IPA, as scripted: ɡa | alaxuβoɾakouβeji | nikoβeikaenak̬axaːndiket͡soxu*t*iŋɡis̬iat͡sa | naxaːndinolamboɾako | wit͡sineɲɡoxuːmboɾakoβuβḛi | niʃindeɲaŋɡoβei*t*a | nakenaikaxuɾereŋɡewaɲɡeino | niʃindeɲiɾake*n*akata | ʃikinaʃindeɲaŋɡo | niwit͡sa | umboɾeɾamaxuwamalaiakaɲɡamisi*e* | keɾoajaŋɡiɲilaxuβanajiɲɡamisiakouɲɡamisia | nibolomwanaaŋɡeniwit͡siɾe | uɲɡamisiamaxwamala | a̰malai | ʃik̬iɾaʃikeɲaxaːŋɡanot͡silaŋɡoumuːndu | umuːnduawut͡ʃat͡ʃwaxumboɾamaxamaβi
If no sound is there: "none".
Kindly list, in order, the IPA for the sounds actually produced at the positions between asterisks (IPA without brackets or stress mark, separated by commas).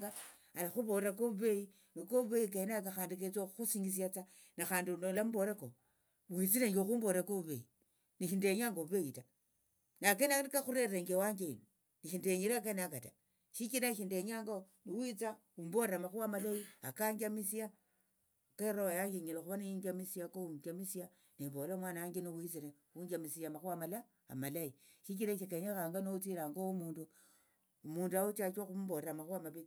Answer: s, t, n, a